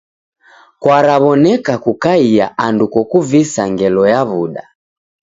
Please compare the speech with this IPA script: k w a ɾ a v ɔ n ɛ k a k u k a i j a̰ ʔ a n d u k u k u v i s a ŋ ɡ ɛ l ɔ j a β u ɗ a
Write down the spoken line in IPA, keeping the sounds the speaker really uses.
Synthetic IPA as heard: k w a ɾ a β ɔ n ɛ k a k u k a i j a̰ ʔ a n d u k ɔ k u v i s a ŋ ɡ ɛ l ɔ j a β u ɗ a